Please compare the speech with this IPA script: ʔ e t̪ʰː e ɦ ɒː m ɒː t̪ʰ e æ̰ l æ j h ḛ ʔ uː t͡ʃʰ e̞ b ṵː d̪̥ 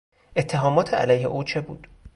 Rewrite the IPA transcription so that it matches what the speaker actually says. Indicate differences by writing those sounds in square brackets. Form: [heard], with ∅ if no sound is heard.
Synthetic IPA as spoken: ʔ e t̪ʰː e ɦ ɒː m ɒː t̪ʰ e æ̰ l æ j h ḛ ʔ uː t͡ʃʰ e̞ b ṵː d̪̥